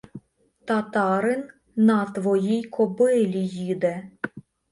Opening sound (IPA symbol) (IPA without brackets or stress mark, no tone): t̪